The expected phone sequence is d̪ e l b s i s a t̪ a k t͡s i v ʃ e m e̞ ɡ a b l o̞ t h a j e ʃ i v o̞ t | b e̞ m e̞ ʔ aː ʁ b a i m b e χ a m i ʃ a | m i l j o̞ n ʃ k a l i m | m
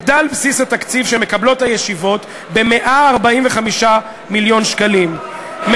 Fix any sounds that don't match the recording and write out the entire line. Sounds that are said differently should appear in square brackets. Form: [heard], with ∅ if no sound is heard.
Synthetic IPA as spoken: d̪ [a] l b s i s a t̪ a k t͡s i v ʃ e m e̞ [k] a b l o̞ t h a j e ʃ i v o̞ t | b e̞ m e̞ ʔ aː ʁ b a i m [v] e χ a m i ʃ a | m i l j o̞ n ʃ k a l i m | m